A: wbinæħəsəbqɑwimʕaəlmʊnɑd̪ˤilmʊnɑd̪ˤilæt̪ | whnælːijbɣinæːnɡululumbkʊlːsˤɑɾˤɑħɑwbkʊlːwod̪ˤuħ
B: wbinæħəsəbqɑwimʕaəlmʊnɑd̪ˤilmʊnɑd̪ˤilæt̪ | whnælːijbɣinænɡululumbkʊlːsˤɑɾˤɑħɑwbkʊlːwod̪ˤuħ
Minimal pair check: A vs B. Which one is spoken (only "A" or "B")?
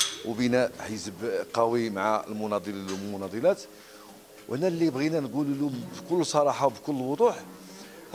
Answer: B